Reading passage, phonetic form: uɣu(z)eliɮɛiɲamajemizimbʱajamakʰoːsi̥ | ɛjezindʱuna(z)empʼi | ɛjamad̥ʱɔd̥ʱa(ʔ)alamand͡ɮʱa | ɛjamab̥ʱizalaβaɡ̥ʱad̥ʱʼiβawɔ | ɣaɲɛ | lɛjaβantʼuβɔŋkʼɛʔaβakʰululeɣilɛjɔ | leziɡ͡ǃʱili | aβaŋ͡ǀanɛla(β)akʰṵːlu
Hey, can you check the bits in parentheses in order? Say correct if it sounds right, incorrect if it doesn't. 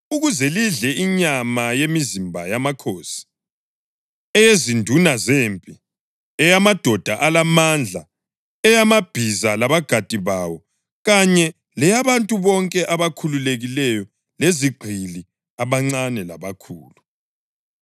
correct, correct, correct, correct

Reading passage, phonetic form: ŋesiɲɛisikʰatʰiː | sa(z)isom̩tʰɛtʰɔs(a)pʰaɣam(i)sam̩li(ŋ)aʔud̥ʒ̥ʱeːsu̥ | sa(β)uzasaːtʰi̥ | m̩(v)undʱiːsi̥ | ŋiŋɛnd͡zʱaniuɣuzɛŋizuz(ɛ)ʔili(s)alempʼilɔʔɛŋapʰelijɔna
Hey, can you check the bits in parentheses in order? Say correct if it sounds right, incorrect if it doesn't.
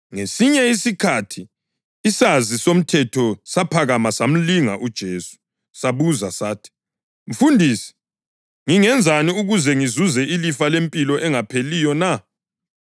correct, correct, incorrect: a, correct, correct, incorrect: f, correct, incorrect: f

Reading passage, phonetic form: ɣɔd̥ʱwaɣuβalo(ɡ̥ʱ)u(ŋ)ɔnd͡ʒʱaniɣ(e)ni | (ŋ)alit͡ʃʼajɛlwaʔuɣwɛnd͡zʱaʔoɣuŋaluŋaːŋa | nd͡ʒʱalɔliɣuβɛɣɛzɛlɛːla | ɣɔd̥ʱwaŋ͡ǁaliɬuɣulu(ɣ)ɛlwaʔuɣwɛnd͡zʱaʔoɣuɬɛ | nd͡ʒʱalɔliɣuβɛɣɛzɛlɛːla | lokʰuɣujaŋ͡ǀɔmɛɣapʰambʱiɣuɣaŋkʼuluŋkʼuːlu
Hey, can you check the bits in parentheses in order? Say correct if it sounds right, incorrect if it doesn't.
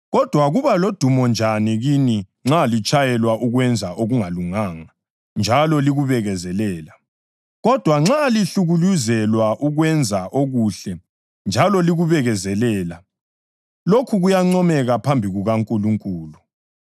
incorrect: d̥ʱ, incorrect: m, incorrect: i, incorrect: ŋ͡ǁ, incorrect: z

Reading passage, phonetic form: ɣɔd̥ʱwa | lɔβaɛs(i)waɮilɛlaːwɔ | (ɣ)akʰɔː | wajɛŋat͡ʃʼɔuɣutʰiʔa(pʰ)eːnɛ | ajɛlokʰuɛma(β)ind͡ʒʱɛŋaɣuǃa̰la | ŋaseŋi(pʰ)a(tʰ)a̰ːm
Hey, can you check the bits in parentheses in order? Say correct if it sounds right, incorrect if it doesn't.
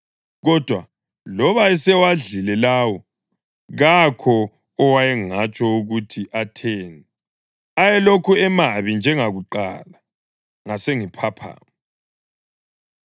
incorrect: ɛ, correct, incorrect: tʰ, correct, correct, incorrect: pʰ

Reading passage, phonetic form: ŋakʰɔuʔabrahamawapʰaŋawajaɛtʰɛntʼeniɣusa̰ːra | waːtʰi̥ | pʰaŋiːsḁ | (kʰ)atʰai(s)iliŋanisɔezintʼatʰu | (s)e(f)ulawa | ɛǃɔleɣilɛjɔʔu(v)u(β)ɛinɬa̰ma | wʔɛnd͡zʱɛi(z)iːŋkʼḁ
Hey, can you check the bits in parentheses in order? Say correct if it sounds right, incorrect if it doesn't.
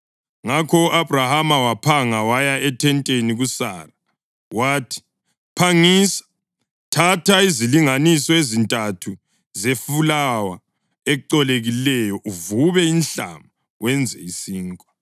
incorrect: tʰ, incorrect: z, incorrect: z, correct, correct, correct, incorrect: s

